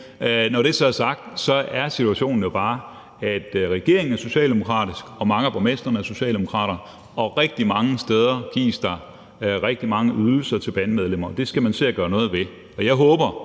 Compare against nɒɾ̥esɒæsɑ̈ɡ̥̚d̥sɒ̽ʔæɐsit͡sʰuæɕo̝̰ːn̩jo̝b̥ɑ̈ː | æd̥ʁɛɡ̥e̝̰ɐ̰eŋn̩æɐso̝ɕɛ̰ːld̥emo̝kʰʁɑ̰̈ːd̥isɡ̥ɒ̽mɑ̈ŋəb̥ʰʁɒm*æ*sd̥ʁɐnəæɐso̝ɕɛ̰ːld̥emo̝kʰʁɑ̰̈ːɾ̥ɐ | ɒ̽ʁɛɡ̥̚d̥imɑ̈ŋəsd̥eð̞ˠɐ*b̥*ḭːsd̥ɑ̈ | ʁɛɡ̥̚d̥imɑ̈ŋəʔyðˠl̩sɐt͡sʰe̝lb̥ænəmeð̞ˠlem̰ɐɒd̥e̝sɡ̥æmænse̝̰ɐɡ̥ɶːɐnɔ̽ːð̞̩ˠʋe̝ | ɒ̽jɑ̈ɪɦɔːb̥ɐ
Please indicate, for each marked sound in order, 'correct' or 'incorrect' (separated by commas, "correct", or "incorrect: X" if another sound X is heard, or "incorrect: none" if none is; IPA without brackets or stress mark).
incorrect: e, incorrect: ɡ̥